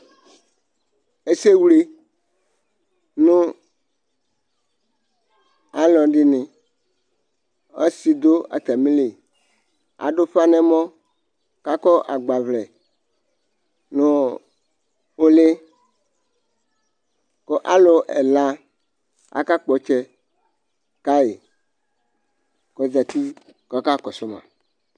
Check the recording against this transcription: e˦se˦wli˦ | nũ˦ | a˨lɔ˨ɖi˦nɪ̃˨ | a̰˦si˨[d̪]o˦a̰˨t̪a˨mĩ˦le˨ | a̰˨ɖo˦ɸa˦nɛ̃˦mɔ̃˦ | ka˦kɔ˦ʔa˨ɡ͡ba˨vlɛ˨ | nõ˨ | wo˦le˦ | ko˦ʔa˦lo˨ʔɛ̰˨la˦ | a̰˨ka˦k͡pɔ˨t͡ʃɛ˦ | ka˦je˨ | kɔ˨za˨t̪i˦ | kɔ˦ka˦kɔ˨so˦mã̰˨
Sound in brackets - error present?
no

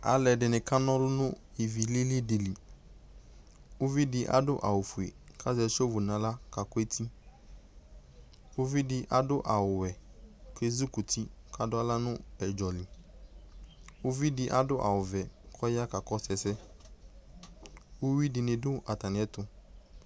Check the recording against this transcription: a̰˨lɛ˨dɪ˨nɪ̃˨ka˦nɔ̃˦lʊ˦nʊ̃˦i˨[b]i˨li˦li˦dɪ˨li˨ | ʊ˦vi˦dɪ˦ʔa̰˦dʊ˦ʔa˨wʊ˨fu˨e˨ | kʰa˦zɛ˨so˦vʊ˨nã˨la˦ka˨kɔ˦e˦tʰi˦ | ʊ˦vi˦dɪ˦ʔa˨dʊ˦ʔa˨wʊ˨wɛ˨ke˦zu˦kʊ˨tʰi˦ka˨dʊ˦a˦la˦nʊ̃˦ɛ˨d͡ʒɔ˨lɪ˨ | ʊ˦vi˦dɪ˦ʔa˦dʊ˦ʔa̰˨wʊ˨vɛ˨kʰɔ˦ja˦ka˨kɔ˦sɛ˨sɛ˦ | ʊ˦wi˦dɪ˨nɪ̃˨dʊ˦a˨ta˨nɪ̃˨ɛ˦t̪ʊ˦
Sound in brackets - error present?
yes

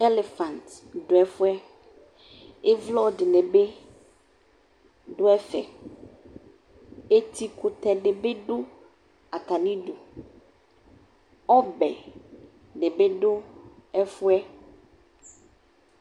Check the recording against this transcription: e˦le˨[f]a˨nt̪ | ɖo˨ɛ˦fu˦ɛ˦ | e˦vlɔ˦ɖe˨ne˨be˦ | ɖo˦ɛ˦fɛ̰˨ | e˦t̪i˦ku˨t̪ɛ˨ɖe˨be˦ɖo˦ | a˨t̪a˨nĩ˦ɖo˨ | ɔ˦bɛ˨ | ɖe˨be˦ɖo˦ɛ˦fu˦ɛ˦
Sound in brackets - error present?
no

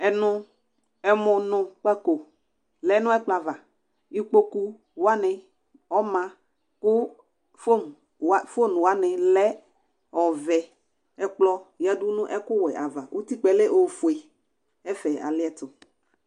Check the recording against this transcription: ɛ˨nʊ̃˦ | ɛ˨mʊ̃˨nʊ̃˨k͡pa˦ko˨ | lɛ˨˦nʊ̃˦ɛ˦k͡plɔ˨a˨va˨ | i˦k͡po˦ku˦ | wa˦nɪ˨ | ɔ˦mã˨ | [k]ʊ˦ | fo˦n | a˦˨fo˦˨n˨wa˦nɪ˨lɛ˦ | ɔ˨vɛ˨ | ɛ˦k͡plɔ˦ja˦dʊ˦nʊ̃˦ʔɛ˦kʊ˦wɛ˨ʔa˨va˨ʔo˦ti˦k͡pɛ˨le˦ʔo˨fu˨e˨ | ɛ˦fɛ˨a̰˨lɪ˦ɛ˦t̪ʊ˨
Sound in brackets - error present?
no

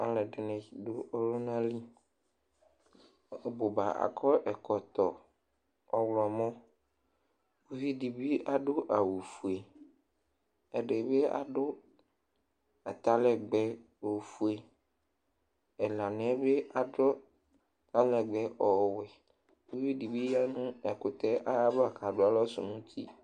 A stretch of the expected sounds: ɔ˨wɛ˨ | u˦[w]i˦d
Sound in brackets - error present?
yes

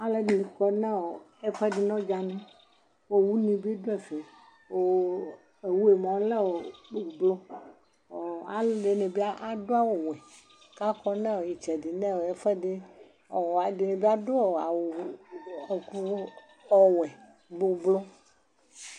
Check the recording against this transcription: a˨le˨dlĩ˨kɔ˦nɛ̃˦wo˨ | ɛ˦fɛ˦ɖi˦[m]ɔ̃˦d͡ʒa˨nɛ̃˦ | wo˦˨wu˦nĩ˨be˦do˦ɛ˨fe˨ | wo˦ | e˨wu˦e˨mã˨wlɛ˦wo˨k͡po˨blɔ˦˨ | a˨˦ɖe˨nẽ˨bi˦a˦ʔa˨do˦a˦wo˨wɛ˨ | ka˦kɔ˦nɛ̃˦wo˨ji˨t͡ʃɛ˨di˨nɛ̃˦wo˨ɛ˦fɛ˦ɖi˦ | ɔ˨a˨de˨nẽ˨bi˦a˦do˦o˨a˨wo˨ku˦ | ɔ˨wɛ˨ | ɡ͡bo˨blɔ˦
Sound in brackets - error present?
yes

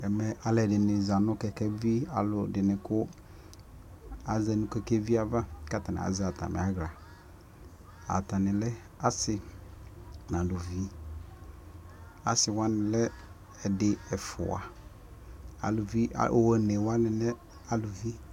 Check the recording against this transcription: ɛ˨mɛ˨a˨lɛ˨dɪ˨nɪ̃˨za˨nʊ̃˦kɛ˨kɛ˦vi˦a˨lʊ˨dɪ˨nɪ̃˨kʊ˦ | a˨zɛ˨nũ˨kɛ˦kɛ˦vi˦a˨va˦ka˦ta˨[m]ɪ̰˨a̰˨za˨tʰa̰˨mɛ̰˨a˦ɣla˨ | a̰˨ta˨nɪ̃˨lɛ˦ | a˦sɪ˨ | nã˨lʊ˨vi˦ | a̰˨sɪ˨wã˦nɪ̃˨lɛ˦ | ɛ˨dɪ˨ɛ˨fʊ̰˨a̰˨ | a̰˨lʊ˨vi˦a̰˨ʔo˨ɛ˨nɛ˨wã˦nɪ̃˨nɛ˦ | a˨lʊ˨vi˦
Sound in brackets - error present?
yes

